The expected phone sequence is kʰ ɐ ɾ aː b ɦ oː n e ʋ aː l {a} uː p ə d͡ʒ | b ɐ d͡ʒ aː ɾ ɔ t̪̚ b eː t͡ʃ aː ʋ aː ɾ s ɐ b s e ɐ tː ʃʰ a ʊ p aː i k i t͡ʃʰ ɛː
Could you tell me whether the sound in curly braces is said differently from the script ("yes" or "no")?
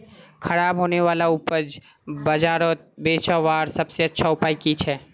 no